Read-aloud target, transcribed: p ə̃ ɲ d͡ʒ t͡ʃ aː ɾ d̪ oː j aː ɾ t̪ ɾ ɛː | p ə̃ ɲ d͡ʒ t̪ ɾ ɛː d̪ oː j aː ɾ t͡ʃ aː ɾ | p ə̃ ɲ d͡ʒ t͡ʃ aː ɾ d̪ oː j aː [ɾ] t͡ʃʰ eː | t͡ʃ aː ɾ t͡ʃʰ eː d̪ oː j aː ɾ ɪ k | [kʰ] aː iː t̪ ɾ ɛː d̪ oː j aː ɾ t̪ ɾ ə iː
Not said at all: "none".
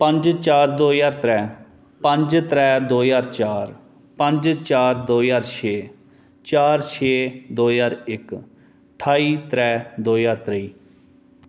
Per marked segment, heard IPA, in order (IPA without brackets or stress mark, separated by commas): ɾ, ʈʰ